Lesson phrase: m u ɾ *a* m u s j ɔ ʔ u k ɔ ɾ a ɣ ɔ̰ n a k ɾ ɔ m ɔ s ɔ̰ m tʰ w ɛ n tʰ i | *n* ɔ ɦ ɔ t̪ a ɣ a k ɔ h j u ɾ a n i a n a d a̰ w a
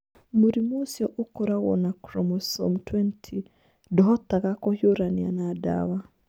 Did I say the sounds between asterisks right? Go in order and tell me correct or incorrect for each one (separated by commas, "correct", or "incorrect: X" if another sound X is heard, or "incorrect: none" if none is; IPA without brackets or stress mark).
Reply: incorrect: i, incorrect: d